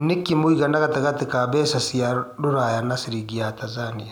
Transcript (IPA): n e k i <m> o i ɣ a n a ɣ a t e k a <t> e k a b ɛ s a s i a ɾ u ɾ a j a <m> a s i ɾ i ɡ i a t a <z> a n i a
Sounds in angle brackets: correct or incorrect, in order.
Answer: correct, correct, incorrect, correct

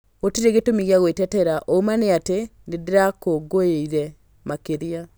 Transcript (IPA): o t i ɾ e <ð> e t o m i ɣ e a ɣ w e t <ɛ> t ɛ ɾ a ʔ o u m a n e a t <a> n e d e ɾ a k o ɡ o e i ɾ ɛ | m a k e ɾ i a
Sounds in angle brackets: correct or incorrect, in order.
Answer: incorrect, correct, incorrect

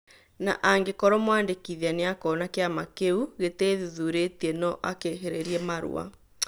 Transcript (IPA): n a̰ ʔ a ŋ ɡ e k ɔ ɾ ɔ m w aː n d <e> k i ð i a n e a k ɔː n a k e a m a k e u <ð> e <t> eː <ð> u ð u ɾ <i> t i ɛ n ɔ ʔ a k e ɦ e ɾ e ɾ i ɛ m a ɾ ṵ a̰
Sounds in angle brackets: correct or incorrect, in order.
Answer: correct, incorrect, correct, correct, incorrect

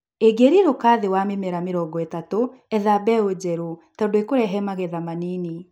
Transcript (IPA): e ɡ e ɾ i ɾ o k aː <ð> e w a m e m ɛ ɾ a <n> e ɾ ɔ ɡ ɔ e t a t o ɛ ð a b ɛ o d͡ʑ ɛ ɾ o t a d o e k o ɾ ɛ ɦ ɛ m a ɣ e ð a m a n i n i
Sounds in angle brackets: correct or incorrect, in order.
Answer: correct, incorrect

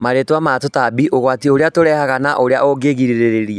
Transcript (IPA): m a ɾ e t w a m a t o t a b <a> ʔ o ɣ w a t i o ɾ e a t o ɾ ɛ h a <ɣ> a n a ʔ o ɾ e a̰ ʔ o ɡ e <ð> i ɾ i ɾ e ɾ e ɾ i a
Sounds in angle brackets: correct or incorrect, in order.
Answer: incorrect, correct, incorrect

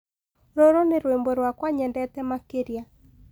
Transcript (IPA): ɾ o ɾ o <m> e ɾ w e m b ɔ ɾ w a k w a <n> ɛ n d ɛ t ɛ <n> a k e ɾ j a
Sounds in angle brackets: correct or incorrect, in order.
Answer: incorrect, incorrect, incorrect

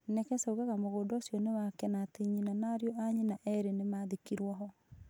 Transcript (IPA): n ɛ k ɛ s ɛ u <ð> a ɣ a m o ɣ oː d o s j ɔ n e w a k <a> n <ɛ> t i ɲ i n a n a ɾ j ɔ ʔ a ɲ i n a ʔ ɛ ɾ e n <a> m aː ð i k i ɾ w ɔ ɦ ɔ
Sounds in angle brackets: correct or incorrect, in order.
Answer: incorrect, incorrect, incorrect, incorrect

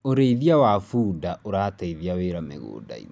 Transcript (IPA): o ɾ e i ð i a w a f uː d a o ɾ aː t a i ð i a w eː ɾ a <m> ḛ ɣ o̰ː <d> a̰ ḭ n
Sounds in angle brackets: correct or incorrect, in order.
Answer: correct, correct

